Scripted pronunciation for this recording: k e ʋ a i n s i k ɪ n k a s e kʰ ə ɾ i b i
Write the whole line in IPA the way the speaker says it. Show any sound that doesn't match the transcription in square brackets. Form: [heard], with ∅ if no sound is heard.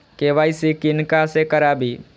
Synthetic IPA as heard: k e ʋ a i [∅] s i k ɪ n k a s e [k] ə ɾ [a] b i